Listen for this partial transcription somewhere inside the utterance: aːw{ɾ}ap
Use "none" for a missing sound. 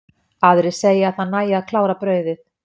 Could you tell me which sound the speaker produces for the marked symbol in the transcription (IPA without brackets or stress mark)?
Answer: ɾ